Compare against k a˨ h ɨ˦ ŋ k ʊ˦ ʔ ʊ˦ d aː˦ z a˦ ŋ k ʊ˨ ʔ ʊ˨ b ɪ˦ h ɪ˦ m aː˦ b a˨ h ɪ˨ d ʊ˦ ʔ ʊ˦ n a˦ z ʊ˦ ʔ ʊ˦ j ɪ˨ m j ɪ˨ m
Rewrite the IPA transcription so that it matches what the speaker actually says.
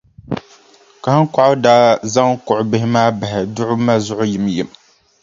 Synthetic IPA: k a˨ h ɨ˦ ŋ k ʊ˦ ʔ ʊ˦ d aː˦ z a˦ ŋ k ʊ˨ ʔ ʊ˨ b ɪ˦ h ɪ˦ m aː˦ b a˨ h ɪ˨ d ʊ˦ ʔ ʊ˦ m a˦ z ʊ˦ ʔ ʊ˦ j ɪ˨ m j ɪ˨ m